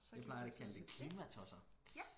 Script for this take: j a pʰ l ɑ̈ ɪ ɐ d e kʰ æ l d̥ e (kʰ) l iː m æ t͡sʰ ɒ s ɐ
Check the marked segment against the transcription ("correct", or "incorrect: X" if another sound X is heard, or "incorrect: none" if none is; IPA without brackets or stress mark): correct